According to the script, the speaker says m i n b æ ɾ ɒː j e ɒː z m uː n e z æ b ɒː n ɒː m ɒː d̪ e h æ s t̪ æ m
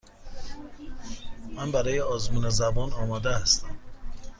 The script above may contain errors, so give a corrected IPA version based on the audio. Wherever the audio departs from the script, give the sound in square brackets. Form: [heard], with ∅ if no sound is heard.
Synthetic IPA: m [æ] n b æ ɾ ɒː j e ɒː z m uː n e z æ b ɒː n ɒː m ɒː d̪ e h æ s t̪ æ m